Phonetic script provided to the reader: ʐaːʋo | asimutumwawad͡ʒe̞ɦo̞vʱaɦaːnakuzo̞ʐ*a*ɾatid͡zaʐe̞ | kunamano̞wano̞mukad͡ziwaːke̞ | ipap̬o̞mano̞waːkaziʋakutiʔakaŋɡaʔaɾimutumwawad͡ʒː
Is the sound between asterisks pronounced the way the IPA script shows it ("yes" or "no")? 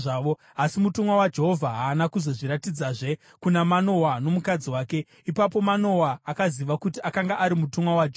no